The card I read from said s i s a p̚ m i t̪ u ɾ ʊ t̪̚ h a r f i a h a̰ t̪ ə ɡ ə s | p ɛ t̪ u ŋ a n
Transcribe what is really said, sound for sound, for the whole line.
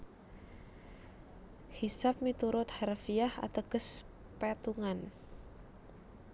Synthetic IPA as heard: h i s a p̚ m i t̪ u ɾ ʊ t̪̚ h a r f i a h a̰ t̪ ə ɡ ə s | p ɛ t̪ u ŋ a n